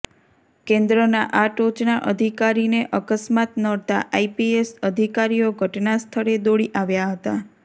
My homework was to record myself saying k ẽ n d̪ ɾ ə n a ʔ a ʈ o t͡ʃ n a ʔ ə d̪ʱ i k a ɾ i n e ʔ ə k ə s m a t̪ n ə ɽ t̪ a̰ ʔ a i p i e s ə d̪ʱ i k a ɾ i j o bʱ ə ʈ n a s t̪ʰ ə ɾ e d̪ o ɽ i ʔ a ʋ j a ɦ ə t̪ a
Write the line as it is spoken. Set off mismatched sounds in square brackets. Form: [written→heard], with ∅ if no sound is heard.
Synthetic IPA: k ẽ n d̪ ɾ ə n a ʔ a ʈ o t͡ʃ n a ʔ ə d̪ʱ i k a ɾ i n e ʔ ə k ə s m a t̪ n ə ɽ t̪ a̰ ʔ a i p i e s ə d̪ʱ i k a ɾ i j o [bʱ→ɡʱ] ə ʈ n a s t̪ʰ ə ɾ e d̪ o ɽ i ʔ a ʋ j a ɦ ə t̪ a

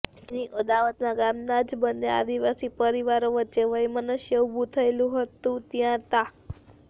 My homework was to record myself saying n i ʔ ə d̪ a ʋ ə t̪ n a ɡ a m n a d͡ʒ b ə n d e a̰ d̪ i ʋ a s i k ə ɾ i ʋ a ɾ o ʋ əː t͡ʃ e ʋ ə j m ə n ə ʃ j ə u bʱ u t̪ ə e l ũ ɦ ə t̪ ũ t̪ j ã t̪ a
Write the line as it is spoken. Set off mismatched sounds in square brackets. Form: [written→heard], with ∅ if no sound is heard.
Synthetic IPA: n i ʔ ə d̪ a ʋ ə t̪ n a ɡ a m n a d͡ʒ b ə n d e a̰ d̪ i ʋ a s i [k→p] ə ɾ i ʋ a ɾ o ʋ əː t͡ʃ e ʋ ə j m ə n ə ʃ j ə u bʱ u [t̪→t̪ʰ] ə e l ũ ɦ ə t̪ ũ t̪ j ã t̪ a

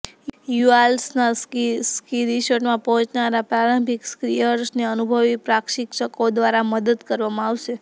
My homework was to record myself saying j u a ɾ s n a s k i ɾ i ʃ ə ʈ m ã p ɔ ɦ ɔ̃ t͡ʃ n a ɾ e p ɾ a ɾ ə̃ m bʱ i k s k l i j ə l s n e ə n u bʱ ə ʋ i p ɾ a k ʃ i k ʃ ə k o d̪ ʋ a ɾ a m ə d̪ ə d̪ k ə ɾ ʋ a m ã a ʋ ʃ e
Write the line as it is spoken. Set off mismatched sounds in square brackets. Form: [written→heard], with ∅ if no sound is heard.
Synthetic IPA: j u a [ɾ→l] s n a s k i ɾ i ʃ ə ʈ m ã p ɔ ɦ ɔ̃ t͡ʃ n a ɾ [e→a] p ɾ a ɾ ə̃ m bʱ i k s k [l→ɾ] i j ə [l→ɾ] s n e ə n u bʱ ə ʋ i p ɾ a k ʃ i k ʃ ə k o d̪ ʋ a ɾ a m ə d̪ ə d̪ k ə ɾ ʋ a m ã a ʋ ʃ e

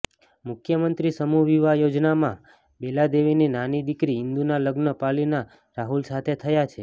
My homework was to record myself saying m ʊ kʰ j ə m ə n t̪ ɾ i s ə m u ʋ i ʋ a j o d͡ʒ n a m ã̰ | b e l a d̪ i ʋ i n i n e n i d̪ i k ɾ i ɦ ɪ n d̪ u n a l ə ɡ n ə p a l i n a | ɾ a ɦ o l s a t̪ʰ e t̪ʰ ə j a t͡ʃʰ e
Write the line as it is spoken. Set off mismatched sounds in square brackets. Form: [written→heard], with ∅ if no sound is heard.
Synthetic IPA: m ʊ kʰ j ə m ə n t̪ ɾ i s ə m u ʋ i ʋ a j o d͡ʒ n a m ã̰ | b e l a d̪ [i→e] ʋ i n i n [e→a] n i d̪ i k ɾ i ɦ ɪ n d̪ u n a l ə ɡ n ə p a l i n a | ɾ a ɦ [o→u] l s a t̪ʰ e t̪ʰ ə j a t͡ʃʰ e

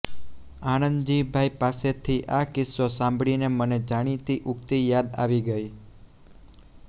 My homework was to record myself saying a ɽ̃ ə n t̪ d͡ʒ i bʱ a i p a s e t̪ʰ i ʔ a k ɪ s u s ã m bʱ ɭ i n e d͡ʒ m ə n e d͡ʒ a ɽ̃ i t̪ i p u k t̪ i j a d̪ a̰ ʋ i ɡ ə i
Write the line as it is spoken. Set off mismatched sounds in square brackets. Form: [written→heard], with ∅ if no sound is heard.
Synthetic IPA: a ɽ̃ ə n [t̪→d̪] d͡ʒ i bʱ a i p a s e t̪ʰ i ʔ a k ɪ s [u→o] s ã m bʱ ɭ i n e [d͡ʒ→∅] m ə n e d͡ʒ a ɽ̃ i t̪ i [p→ʔ] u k t̪ i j a d̪ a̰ ʋ i ɡ ə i

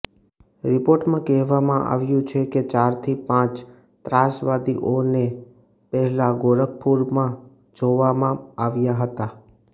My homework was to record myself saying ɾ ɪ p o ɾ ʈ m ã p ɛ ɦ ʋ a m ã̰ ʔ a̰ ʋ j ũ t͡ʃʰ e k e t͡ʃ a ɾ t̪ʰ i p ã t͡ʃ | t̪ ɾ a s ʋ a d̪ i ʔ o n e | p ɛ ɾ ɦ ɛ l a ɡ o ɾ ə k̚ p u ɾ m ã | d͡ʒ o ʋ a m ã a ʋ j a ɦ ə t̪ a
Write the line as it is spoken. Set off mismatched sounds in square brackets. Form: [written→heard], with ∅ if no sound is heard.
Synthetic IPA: ɾ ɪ p o ɾ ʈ m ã [p→k] ɛ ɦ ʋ a m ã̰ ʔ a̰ ʋ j ũ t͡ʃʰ e k e t͡ʃ a ɾ t̪ʰ i p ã t͡ʃ | t̪ ɾ a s ʋ a d̪ i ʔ o n e | p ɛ [ɾ→∅] ɦ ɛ l a ɡ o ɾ ə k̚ p u ɾ m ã | d͡ʒ o ʋ a m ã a ʋ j a ɦ ə t̪ a

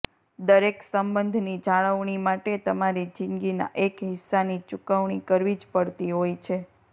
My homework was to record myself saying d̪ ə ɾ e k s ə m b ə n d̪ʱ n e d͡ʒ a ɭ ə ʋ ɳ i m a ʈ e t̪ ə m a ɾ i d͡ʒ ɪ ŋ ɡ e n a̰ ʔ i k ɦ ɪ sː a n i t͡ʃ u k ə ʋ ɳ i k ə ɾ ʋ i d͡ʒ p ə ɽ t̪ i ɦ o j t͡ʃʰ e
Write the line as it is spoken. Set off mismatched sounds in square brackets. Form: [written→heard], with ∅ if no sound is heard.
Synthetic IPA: d̪ ə ɾ e k s ə m b ə n d̪ʱ n [e→i] d͡ʒ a ɭ ə ʋ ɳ i m a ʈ e t̪ ə m a ɾ i d͡ʒ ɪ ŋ ɡ [e→i] n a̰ ʔ [i→e] k ɦ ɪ sː a n i t͡ʃ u k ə ʋ ɳ i k ə ɾ ʋ i d͡ʒ p ə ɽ t̪ i ɦ o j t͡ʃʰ e

